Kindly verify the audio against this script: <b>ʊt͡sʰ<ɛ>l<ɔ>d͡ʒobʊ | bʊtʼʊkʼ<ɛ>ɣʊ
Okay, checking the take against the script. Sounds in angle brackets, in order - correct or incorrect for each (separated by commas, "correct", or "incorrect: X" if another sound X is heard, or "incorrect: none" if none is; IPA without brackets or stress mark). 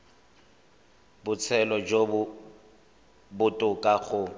correct, correct, correct, incorrect: a